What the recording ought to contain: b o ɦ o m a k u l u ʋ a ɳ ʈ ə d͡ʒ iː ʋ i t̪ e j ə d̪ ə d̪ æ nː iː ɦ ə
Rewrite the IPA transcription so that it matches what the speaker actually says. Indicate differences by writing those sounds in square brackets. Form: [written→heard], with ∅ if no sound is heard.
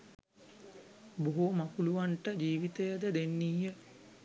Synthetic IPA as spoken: b o ɦ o m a k u l u ʋ a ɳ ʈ ə d͡ʒ iː ʋ i t̪ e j ə d̪ ə d̪ [æ→e] nː iː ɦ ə

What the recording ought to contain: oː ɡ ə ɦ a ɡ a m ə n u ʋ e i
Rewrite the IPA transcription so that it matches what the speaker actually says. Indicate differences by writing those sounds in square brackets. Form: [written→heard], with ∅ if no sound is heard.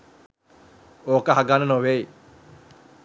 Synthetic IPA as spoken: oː [ɡ→k] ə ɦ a ɡ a [m→n] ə n [u→o] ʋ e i

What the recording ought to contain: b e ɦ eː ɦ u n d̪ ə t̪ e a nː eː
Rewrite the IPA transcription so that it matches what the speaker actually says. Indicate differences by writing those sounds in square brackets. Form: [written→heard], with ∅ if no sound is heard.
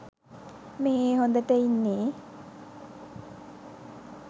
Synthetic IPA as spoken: [b→m] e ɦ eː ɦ [u→o] n d̪ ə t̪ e [a→i] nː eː

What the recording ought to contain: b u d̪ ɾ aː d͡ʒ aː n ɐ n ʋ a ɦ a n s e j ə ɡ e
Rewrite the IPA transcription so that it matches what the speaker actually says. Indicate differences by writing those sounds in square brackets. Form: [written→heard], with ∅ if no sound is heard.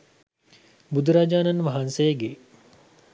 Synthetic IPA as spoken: b u d̪ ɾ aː d͡ʒ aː n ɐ n ʋ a ɦ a n s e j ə ɡ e

